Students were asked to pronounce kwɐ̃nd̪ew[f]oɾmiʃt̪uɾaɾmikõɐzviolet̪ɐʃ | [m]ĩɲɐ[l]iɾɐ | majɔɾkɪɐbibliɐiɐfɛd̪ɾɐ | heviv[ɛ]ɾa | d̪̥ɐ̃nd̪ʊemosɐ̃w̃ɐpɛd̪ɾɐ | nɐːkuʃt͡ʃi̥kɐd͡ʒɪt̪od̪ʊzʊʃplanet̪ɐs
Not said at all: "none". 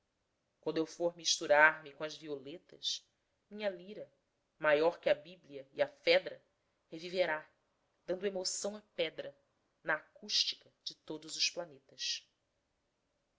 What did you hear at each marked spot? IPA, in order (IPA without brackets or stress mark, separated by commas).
f, m, l, e